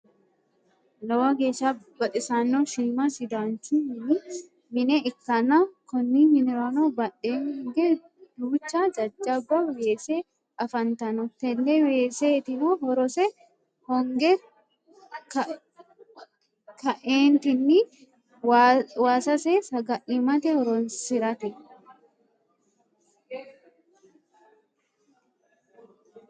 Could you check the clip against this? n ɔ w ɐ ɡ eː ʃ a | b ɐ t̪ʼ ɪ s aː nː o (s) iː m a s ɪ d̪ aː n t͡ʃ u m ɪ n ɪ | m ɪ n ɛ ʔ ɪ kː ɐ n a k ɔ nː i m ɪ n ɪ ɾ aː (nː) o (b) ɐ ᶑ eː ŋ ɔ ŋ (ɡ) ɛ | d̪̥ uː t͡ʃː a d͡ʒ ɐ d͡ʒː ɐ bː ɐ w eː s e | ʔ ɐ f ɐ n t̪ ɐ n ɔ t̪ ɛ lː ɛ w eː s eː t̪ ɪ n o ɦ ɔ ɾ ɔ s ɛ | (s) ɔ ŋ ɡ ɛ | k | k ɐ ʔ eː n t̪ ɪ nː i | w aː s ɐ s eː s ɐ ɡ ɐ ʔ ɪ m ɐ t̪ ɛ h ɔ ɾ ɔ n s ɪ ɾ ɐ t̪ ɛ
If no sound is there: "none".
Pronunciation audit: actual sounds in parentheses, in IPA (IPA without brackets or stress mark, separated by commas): ʃ, n, b, ɡ, h